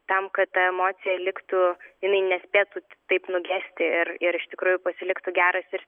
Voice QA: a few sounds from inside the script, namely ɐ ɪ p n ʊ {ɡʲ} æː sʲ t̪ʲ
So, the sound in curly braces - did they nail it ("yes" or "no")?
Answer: yes